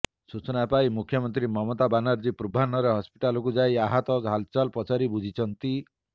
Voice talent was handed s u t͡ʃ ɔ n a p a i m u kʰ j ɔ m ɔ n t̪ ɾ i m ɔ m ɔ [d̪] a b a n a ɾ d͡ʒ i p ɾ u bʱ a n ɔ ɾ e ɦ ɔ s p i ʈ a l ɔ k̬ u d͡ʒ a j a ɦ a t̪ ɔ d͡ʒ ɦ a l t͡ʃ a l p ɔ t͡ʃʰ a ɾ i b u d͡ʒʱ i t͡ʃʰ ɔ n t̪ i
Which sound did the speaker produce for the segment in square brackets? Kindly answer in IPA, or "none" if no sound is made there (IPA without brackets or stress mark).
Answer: t̪